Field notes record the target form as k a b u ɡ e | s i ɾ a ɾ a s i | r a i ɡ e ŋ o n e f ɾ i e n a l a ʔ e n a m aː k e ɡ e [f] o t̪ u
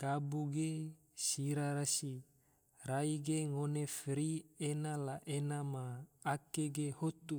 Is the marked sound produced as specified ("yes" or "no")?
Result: no